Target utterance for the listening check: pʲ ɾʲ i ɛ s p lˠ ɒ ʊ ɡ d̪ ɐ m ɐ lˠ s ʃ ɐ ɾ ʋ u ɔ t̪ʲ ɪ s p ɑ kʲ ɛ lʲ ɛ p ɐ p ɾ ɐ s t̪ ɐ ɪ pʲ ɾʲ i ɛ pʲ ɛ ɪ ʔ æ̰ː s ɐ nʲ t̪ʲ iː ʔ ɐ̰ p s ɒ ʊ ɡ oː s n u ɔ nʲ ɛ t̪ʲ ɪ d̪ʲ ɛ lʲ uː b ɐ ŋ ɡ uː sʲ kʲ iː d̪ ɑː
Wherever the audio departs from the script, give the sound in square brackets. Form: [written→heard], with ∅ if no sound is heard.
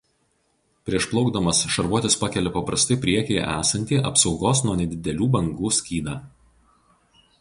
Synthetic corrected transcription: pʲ ɾʲ i ɛ [s→ʃ] p lˠ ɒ ʊ ɡ d̪ ɐ m ɐ [lˠ→∅] s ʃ ɐ ɾ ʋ u ɔ t̪ʲ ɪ s p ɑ kʲ ɛ lʲ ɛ p ɐ p ɾ ɐ s t̪ ɐ ɪ pʲ ɾʲ i ɛ [pʲ→kʲ] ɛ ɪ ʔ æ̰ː s ɐ nʲ t̪ʲ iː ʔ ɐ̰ p s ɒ ʊ ɡ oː s n u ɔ nʲ ɛ [t̪ʲ→d̪ʲ] ɪ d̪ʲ ɛ lʲ uː b ɐ ŋ ɡ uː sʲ kʲ iː d̪ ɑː

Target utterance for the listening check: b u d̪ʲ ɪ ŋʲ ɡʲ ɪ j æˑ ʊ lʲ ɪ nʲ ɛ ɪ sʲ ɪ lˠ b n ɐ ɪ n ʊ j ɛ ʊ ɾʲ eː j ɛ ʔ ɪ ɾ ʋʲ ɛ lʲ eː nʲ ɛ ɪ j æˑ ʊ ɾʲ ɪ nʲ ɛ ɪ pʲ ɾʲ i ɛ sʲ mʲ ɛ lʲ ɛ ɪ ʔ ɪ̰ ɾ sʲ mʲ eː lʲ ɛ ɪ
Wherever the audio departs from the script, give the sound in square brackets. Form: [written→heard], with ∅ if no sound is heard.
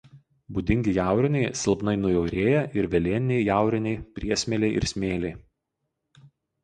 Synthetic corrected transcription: b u d̪ʲ ɪ ŋʲ ɡʲ ɪ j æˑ ʊ [lʲ→ɾʲ] ɪ nʲ ɛ ɪ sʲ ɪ lˠ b n ɐ ɪ n ʊ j ɛ ʊ ɾʲ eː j ɛ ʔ ɪ ɾ ʋʲ ɛ lʲ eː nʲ ɛ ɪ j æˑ ʊ ɾʲ ɪ nʲ ɛ ɪ pʲ ɾʲ i ɛ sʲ mʲ ɛ lʲ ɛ ɪ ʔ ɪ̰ ɾ sʲ mʲ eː lʲ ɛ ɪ

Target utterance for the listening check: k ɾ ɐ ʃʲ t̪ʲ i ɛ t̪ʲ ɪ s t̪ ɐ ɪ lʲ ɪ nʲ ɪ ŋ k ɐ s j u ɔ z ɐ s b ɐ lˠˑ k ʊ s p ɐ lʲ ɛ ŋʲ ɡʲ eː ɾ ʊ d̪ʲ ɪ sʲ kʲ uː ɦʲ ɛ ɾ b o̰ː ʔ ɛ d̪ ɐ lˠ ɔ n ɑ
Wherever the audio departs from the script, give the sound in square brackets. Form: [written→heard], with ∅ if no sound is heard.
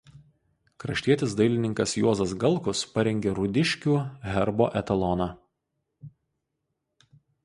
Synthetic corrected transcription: k ɾ ɐ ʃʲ t̪ʲ i ɛ t̪ʲ ɪ s [t̪→d̪] ɐ ɪ lʲ ɪ nʲ ɪ ŋ k ɐ s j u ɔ z ɐ s [b→ɡ] ɐ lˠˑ k ʊ s p ɐ [lʲ→ɾʲ] ɛ ŋʲ ɡʲ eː ɾ ʊ d̪ʲ ɪ [sʲ→ʃʲ] kʲ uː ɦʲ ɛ ɾ b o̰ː ʔ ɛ [d̪→t̪] ɐ lˠ ɔ n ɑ

